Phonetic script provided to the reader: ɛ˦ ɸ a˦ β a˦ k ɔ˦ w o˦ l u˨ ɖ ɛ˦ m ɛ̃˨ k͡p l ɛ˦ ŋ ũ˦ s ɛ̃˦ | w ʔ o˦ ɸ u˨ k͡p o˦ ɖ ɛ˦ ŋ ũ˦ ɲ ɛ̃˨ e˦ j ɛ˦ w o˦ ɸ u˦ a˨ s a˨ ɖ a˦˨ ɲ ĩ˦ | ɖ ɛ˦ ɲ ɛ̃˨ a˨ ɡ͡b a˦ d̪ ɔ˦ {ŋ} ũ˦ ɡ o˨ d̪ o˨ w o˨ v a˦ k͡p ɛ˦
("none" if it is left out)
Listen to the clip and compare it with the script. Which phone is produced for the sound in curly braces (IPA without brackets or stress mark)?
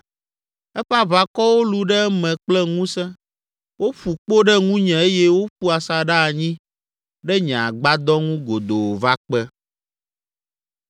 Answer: ŋ